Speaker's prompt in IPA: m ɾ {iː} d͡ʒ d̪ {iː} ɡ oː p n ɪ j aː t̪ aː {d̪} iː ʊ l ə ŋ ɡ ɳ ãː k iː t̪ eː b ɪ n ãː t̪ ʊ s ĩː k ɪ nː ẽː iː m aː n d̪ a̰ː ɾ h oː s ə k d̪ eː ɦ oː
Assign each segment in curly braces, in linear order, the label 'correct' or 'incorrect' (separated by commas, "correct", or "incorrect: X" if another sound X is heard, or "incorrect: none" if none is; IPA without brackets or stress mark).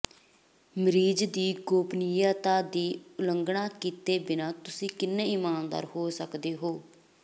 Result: correct, correct, correct